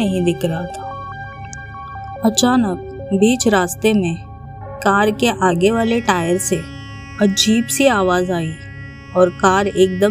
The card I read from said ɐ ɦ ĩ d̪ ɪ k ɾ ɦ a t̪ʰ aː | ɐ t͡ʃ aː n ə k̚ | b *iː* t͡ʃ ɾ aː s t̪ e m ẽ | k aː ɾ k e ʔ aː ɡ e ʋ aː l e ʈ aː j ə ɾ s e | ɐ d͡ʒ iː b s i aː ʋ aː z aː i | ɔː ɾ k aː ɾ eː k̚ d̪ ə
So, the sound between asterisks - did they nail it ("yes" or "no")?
yes